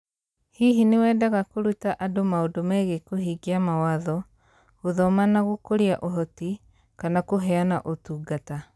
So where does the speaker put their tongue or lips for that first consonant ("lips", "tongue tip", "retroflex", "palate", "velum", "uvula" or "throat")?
throat